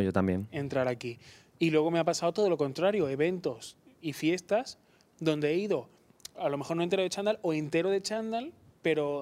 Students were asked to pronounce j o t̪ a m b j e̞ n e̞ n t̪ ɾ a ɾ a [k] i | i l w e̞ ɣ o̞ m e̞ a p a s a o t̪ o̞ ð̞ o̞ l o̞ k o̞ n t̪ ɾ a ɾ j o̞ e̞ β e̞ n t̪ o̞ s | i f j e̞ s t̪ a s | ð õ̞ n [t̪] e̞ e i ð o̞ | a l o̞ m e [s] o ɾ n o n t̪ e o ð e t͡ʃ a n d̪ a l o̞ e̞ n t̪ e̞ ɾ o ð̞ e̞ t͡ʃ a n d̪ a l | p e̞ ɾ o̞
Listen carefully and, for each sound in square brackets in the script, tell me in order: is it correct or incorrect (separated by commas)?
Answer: correct, incorrect, incorrect